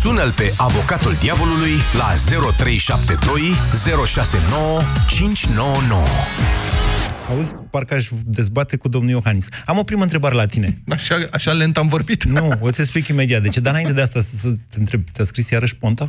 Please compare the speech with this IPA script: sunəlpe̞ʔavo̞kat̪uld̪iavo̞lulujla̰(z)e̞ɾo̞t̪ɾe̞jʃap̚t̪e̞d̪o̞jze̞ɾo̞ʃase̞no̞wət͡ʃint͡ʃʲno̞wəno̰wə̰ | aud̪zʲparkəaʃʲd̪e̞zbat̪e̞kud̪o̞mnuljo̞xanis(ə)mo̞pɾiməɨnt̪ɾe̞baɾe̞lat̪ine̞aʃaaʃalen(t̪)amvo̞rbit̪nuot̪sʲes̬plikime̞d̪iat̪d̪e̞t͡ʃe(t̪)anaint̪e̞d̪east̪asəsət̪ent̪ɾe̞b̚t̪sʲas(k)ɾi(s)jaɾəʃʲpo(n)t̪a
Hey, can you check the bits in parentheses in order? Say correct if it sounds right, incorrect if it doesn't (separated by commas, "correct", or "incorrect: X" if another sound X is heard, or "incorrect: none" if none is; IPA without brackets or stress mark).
correct, incorrect: a, correct, incorrect: d̪, correct, correct, correct